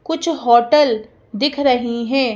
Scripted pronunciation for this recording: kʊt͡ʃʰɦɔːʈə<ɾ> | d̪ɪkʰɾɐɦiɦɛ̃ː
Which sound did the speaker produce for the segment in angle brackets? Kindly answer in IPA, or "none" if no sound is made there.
l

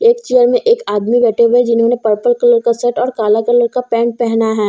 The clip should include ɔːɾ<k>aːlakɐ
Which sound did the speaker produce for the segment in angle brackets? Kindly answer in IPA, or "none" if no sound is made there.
k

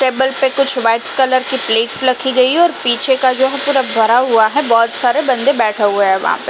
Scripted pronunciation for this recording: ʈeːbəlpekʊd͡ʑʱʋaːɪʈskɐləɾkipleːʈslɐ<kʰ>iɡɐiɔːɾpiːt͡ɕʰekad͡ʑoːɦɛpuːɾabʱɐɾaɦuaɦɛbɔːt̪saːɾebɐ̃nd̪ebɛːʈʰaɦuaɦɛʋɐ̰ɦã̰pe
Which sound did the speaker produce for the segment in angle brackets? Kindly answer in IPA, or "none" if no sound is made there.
kʰ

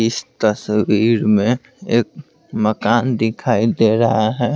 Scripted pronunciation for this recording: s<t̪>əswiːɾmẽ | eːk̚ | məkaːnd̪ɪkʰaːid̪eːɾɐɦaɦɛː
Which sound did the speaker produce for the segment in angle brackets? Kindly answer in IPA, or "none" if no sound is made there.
t̪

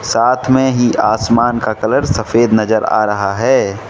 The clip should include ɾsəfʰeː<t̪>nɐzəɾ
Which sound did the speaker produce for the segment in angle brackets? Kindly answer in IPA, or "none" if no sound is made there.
d̪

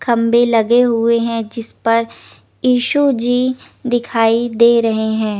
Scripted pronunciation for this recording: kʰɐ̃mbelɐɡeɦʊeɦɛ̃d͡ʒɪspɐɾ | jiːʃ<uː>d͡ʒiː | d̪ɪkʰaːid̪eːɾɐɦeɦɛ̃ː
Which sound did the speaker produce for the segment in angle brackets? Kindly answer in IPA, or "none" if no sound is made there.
u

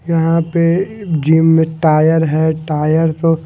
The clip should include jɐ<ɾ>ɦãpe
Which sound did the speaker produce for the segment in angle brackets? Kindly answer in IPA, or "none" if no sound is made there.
none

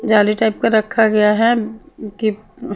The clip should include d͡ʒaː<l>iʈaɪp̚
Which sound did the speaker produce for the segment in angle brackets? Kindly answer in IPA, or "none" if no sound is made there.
l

